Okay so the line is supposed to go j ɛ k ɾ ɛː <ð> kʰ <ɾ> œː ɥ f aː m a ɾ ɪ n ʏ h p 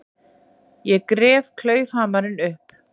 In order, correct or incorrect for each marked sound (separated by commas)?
incorrect, incorrect